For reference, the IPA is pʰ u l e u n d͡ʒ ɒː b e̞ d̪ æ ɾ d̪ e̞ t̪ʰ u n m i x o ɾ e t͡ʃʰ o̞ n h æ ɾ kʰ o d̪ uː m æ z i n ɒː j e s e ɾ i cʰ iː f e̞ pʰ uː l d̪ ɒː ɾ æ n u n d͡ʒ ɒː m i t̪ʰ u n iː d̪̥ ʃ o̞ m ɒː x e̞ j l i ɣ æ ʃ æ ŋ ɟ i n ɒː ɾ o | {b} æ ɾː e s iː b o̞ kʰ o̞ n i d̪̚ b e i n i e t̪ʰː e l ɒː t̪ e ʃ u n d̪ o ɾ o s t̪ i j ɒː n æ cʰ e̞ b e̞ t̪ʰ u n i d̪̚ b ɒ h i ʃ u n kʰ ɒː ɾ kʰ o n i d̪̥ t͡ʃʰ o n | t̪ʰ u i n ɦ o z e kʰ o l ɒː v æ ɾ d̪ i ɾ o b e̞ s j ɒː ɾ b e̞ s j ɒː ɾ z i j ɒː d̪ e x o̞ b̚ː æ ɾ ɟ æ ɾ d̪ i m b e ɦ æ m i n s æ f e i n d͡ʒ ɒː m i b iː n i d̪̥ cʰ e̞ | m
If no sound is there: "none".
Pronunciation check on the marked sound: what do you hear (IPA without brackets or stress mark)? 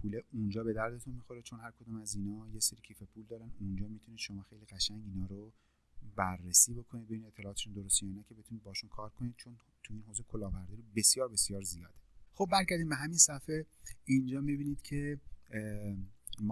b